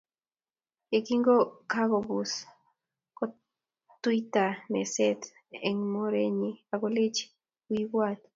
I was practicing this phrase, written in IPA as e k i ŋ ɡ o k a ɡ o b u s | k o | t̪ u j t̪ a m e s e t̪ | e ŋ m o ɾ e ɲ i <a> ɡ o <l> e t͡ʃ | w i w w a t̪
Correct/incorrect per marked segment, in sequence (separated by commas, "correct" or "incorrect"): correct, correct